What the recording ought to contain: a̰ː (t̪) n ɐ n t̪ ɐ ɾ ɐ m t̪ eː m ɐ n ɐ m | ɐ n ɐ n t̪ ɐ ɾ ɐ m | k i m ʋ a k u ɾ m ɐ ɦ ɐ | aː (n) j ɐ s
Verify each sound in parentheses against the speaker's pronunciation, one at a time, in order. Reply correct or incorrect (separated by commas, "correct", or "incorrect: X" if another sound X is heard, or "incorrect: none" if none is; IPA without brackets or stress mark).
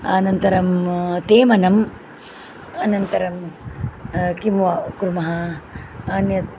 incorrect: none, correct